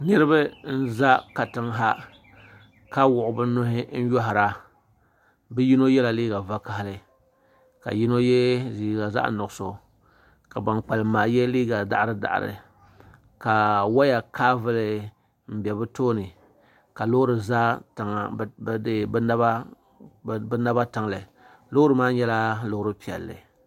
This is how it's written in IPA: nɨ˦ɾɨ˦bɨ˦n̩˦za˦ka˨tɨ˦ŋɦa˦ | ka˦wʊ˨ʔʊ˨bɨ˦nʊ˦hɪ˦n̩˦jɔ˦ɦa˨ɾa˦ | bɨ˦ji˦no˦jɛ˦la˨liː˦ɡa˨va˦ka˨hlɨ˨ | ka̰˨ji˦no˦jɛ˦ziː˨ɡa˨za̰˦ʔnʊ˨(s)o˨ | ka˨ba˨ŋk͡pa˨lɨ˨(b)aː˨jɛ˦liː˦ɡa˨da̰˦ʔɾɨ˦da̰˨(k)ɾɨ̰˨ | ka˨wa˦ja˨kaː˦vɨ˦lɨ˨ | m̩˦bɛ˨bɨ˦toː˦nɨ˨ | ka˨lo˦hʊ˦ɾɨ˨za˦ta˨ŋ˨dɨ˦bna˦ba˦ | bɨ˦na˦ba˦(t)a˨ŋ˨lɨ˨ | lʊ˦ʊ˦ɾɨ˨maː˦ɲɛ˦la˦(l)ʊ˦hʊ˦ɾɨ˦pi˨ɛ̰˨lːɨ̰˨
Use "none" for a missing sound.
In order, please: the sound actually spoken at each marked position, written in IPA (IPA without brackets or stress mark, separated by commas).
s, m, ʔ, t, l